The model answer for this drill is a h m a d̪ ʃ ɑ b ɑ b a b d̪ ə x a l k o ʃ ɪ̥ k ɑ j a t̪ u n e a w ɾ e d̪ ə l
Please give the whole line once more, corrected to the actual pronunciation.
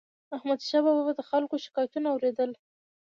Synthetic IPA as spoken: a h m a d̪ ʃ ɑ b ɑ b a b d̪ ə x a l k o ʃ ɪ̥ k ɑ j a t̪ u n a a w ɾ e d̪ ə l